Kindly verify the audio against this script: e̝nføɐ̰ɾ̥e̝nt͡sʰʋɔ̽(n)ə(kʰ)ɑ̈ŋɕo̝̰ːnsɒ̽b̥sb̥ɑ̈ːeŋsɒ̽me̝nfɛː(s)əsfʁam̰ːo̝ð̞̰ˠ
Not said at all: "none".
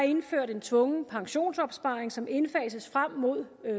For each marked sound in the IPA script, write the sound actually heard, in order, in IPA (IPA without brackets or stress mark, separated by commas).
ŋ, pʰ, s